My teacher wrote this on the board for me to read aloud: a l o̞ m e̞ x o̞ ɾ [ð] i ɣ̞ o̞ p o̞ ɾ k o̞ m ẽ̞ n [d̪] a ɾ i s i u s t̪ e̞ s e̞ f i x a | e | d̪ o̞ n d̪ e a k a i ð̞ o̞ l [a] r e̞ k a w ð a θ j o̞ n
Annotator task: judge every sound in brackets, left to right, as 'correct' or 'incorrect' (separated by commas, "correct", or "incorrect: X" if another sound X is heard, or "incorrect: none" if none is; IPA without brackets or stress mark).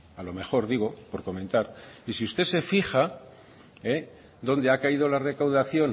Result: correct, incorrect: t̪, correct